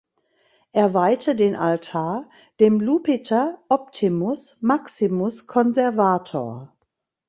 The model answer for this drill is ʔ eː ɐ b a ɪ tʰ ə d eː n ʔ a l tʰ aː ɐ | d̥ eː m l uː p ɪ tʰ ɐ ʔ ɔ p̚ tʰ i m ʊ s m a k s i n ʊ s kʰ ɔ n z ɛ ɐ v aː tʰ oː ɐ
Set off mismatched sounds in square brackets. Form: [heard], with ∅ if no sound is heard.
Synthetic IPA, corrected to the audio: ʔ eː ɐ [v] a ɪ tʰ ə d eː n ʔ a l tʰ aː ɐ | d̥ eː m l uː p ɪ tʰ ɐ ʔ ɔ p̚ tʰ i m ʊ s m a k s i [m] ʊ s kʰ ɔ n z ɛ ɐ v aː tʰ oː ɐ